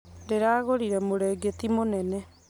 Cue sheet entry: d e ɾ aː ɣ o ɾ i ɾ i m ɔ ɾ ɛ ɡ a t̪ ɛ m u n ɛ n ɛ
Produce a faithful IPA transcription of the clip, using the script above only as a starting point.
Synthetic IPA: d e ɾ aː ɣ o ɾ i ɾ ɛ m o ɾ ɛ ɡ e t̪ i m o n ɛ n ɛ